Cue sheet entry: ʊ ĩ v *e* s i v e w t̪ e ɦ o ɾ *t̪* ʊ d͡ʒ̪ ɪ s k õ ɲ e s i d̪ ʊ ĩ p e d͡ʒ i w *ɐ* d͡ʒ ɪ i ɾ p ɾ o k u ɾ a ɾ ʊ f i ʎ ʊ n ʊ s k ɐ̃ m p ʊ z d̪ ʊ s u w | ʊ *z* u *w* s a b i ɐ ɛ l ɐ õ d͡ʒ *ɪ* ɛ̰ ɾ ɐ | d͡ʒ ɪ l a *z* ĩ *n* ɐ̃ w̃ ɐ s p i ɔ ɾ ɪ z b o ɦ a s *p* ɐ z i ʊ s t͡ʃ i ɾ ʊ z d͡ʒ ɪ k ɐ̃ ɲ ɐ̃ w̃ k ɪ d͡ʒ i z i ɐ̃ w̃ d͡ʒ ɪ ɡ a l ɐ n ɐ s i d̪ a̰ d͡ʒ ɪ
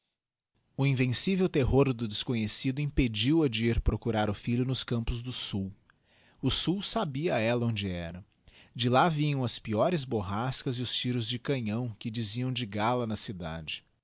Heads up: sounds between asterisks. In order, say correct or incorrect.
incorrect, incorrect, correct, incorrect, correct, correct, incorrect, incorrect, incorrect

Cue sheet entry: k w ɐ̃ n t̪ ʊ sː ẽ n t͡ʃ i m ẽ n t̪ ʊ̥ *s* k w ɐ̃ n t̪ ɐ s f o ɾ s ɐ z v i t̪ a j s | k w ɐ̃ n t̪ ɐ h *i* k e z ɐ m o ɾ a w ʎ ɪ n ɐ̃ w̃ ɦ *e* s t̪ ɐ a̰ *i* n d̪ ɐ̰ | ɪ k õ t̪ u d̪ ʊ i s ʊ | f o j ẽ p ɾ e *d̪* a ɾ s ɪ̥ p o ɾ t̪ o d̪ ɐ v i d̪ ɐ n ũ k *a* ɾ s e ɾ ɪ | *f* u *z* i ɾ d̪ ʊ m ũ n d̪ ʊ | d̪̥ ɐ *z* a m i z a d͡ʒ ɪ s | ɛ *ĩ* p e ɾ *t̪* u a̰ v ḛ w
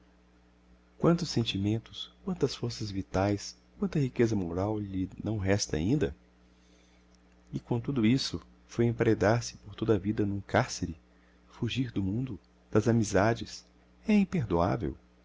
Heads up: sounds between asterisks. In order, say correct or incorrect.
correct, correct, incorrect, incorrect, correct, correct, correct, incorrect, correct, correct, incorrect

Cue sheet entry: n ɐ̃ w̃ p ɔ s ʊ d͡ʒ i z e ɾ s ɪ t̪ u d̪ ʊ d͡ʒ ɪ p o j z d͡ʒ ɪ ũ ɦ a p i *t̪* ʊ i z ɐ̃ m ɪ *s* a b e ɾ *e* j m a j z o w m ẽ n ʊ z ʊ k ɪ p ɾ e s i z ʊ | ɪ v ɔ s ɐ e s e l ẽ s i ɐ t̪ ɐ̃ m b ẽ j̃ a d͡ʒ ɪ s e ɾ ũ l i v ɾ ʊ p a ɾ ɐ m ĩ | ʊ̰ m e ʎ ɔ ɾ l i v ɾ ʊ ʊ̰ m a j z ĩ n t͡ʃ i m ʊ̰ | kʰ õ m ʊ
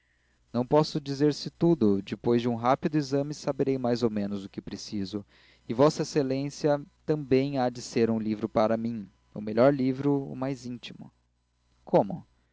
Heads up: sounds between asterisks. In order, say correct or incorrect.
incorrect, correct, correct

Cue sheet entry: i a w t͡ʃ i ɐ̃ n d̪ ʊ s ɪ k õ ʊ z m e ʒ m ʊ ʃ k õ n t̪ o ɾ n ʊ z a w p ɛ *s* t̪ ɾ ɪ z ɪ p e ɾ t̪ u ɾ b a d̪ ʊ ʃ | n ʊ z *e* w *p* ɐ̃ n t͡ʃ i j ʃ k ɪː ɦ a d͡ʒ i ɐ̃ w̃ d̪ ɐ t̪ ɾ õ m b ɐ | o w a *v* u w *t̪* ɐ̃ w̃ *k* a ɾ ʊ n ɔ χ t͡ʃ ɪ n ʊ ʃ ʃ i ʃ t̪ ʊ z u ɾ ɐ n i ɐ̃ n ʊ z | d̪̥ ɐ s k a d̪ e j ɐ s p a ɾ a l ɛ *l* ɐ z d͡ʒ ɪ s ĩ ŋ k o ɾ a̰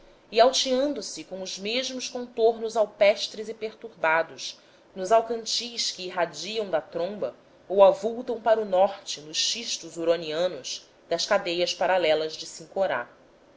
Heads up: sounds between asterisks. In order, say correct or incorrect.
incorrect, incorrect, incorrect, correct, correct, incorrect, correct

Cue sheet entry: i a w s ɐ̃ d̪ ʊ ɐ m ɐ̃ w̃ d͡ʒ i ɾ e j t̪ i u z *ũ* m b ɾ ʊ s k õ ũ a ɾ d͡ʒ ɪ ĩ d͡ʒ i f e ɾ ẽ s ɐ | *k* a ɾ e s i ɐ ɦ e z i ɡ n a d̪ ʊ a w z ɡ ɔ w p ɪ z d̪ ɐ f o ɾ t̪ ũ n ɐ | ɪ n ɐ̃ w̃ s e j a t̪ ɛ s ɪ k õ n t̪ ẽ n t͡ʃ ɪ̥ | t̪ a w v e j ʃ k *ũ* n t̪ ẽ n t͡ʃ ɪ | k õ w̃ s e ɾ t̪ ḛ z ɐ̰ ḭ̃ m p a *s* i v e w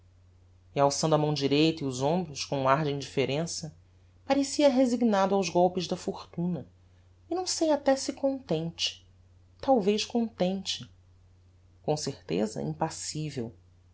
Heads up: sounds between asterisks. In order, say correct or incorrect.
incorrect, incorrect, incorrect, correct

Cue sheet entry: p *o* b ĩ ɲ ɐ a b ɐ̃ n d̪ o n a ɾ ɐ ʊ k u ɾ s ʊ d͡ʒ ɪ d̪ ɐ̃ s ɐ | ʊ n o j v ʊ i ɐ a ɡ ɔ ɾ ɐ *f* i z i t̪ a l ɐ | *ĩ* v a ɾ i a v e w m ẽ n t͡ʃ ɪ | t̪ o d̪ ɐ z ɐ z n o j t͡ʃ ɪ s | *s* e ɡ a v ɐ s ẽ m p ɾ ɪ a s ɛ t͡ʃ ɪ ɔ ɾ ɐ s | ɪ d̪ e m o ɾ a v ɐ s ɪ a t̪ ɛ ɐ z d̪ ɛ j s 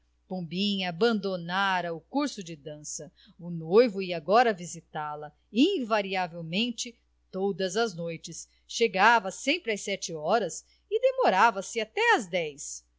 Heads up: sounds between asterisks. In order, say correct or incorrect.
incorrect, incorrect, correct, incorrect

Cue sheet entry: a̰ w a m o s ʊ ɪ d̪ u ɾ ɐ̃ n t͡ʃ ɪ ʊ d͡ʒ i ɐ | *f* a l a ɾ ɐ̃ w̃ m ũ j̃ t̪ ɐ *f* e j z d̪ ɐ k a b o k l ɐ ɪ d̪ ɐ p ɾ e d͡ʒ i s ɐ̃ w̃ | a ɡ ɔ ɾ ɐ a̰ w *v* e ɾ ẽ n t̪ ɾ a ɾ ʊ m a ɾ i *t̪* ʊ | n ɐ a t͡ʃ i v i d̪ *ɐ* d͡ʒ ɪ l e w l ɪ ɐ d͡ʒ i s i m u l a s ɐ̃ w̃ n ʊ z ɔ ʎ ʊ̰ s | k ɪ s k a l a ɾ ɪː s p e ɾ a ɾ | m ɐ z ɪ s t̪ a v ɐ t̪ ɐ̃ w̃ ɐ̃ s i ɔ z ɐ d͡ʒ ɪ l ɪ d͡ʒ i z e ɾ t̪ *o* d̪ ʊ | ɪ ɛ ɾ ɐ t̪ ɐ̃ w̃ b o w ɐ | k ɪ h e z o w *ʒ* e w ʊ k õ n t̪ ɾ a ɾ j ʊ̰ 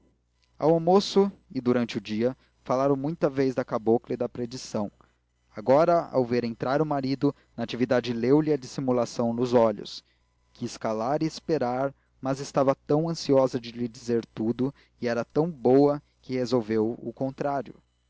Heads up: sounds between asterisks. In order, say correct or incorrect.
correct, incorrect, correct, incorrect, incorrect, incorrect, incorrect

